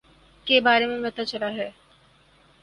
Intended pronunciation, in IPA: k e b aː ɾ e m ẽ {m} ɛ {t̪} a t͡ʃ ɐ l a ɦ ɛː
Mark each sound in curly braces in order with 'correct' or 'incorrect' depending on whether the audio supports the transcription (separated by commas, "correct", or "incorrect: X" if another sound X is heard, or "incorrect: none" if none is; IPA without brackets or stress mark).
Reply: correct, correct